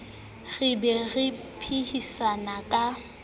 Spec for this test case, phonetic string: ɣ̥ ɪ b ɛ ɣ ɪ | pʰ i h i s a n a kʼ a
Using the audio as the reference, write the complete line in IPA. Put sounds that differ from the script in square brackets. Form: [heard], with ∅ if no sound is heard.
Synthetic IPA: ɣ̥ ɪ b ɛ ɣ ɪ | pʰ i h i s a n a kʼ a